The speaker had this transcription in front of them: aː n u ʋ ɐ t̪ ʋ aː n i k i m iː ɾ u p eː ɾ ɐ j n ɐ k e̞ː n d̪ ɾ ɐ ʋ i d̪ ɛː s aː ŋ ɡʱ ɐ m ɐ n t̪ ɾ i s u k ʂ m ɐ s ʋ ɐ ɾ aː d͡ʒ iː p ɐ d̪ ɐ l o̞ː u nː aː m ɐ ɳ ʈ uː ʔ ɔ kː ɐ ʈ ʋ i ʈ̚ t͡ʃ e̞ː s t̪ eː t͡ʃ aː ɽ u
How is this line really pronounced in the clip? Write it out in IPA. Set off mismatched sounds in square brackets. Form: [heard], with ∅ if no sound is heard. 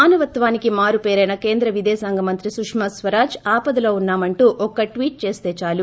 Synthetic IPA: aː n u ʋ ɐ t̪ ʋ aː n i k i m [aː] ɾ u p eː ɾ ɐ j n ɐ k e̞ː n d̪ ɾ ɐ ʋ i d̪ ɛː s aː ŋ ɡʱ ɐ m ɐ n t̪ ɾ i s u k ʂ m ɐ s ʋ ɐ ɾ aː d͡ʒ [aː] p ɐ d̪ ɐ l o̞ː u nː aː m ɐ ɳ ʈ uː ʔ ɔ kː ɐ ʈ ʋ [iː] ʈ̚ t͡ʃ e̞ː s t̪ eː t͡ʃ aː [l] u